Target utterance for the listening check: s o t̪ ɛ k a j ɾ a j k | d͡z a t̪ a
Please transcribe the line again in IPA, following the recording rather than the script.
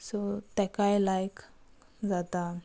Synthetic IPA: s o t̪ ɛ k a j l a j k | d͡z a t̪ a